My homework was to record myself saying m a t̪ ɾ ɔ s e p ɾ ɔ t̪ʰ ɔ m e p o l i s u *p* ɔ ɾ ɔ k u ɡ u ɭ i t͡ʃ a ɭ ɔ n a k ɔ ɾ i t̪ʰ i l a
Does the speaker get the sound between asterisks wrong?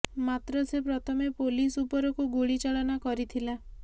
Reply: no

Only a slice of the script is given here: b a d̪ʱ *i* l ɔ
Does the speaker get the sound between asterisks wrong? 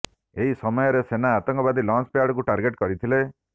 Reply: no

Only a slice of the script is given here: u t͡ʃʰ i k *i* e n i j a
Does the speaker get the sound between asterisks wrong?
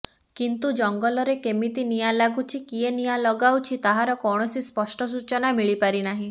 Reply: no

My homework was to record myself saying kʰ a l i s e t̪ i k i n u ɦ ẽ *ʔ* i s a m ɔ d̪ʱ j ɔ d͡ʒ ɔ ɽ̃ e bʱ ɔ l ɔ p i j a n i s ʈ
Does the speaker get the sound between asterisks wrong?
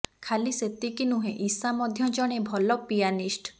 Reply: no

